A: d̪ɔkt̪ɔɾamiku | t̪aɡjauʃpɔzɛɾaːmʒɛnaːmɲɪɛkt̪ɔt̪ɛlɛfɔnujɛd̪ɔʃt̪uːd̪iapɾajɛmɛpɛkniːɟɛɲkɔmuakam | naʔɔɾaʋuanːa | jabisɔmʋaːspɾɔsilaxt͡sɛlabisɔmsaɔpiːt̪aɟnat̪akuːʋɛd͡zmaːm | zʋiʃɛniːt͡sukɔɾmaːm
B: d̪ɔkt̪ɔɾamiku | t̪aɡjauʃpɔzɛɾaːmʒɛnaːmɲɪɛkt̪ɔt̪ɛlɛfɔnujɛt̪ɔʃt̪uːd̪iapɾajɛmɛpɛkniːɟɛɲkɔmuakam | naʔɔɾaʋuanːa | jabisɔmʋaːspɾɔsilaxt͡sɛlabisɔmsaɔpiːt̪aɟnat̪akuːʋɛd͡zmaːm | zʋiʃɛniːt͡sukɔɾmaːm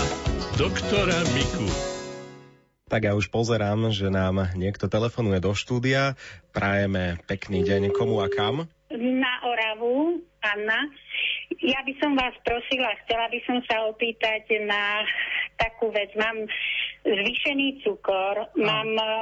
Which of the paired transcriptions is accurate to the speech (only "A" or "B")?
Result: A